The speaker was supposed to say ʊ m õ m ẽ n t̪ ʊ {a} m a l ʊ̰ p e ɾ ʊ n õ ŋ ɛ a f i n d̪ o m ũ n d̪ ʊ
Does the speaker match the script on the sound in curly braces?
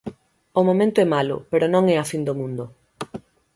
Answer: no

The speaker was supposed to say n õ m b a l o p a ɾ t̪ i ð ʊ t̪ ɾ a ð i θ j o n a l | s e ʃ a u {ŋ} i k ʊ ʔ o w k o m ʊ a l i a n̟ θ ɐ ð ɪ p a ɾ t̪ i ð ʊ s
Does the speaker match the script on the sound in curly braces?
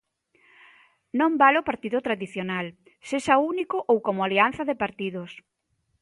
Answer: no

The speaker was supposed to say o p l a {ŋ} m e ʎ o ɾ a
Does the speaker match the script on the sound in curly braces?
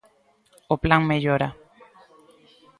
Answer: yes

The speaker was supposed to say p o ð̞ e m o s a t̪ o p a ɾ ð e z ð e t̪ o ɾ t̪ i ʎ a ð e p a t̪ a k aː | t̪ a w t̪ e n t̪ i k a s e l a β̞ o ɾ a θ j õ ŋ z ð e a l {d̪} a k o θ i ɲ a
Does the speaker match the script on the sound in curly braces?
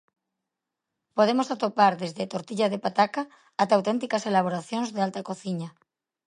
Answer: no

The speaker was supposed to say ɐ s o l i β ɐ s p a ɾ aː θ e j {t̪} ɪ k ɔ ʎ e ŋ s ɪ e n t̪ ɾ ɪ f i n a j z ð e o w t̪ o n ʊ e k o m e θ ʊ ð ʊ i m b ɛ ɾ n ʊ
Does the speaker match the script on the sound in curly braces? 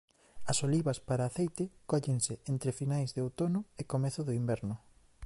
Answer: yes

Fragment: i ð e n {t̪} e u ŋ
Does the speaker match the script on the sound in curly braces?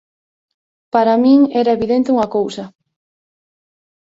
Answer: yes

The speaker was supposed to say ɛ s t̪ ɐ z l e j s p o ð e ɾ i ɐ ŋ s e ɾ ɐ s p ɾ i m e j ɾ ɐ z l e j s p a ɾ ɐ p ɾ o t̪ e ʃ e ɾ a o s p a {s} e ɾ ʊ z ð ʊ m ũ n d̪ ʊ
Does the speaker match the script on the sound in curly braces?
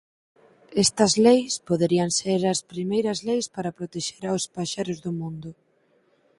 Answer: no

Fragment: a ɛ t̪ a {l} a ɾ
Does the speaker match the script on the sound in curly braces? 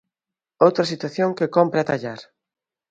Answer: no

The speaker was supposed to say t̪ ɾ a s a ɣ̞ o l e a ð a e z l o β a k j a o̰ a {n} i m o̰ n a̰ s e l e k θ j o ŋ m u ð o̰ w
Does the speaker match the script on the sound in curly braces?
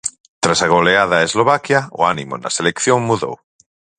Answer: yes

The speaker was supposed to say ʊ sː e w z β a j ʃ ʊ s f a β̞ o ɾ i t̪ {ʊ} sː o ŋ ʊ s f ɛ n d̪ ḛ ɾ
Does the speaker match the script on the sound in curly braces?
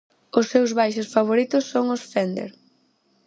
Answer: yes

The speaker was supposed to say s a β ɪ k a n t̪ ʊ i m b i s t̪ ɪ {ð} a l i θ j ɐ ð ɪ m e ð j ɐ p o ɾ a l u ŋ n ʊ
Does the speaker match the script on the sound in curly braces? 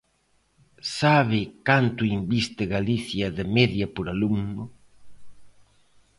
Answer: no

